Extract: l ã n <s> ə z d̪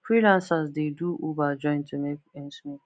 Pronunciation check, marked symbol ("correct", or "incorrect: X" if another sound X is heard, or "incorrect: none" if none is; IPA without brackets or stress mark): correct